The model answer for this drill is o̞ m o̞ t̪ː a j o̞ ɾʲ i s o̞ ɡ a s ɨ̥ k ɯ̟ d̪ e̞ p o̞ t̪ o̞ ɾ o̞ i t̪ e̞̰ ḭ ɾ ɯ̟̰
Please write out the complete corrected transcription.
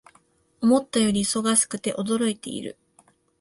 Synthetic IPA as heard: o̞ m o̞ t̪ː a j o̞ ɾʲ i s o̞ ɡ a s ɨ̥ k ɯ̟ t̪ e̞ ʔ o̞ d̪ o̞ ɾ o̞ i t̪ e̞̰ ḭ ɾ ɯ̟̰